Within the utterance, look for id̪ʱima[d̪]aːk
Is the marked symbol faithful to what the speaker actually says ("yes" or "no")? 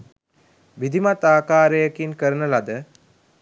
no